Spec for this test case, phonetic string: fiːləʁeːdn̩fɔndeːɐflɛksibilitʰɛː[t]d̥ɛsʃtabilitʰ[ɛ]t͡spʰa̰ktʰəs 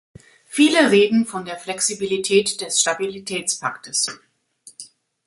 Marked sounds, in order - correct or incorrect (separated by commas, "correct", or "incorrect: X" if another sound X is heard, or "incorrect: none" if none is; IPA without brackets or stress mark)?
correct, incorrect: ɛː